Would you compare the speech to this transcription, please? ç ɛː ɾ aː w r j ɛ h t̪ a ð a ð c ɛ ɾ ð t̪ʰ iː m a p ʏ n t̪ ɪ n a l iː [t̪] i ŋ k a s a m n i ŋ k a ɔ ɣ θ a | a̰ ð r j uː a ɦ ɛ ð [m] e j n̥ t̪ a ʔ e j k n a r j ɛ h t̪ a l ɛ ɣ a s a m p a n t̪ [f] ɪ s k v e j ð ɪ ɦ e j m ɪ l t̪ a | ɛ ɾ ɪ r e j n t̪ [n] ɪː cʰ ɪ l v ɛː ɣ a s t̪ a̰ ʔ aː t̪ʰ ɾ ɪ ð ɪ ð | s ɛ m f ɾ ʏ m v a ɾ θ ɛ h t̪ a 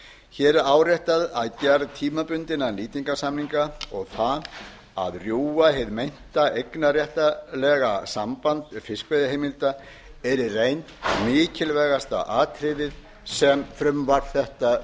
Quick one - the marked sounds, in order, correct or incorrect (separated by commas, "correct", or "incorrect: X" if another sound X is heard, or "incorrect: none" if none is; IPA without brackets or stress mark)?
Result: correct, correct, correct, incorrect: m